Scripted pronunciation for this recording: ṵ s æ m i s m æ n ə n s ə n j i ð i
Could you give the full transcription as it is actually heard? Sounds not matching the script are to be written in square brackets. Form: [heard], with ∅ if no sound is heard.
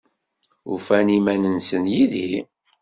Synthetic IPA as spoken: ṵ [f] æ [n] i [∅] m æ n ə n s ə n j i ð i